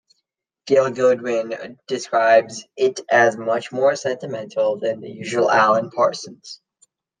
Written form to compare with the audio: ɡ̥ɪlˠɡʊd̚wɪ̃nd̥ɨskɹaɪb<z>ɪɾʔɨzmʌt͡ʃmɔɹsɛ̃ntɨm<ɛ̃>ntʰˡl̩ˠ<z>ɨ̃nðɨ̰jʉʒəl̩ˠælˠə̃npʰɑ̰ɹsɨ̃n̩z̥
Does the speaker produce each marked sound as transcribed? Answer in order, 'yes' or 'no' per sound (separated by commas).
yes, yes, no